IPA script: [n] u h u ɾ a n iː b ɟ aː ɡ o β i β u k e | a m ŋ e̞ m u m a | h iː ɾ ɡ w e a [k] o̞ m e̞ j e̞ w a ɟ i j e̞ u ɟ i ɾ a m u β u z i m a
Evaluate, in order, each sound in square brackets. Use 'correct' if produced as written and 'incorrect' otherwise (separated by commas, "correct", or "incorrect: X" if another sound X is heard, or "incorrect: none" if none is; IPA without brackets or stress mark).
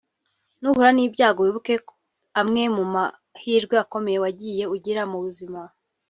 correct, correct